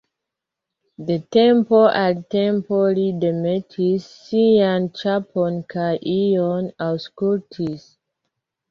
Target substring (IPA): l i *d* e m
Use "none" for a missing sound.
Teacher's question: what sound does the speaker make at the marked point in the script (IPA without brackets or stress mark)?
d